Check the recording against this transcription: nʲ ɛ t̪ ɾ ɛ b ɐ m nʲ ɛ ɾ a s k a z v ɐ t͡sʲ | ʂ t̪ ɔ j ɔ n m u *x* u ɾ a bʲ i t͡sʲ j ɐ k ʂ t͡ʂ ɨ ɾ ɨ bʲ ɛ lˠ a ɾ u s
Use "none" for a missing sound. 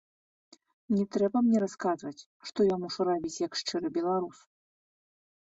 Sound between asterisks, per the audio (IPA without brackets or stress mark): ʂ